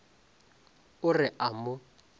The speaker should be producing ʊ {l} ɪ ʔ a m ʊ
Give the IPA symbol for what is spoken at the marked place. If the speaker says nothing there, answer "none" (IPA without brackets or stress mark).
r